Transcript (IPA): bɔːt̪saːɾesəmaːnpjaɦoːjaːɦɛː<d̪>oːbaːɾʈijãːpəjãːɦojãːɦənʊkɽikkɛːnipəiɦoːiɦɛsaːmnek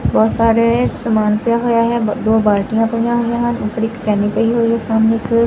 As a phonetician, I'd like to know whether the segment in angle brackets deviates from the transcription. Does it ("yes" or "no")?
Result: no